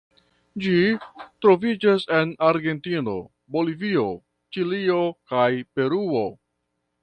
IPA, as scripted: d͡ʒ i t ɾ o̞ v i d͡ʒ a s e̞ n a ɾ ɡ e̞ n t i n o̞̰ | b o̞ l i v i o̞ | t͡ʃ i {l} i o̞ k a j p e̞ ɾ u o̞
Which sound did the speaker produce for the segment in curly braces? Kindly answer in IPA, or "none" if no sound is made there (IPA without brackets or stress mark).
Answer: l